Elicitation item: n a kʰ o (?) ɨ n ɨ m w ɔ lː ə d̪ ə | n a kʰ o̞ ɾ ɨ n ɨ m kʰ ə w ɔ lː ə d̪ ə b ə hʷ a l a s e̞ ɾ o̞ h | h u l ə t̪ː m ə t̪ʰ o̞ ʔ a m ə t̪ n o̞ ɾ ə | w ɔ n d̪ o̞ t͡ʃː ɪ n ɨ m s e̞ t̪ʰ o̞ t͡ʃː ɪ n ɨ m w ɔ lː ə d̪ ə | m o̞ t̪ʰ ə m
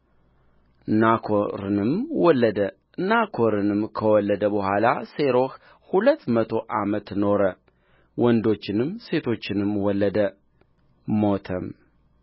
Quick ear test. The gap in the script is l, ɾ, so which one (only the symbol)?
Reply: ɾ